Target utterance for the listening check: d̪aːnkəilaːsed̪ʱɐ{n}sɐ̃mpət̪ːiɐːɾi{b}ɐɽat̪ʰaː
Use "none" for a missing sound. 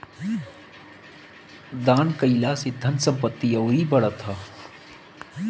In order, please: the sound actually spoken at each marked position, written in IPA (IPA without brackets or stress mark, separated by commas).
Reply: n, b